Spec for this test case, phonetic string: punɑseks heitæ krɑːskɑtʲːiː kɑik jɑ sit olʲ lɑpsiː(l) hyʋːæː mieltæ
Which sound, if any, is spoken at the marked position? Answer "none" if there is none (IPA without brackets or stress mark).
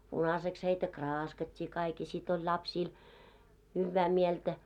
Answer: l